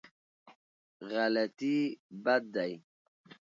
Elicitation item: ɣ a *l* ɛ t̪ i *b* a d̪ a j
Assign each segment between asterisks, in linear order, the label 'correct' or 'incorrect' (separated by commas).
correct, correct